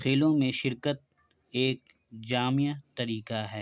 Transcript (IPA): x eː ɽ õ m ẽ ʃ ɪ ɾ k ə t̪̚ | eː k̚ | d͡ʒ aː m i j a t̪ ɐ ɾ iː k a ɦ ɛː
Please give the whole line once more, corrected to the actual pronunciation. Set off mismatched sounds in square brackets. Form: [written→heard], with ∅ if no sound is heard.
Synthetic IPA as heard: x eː [ɽ→l] õ m ẽ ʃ ɪ ɾ k ə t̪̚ | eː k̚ | d͡ʒ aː m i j a t̪ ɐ ɾ iː k a ɦ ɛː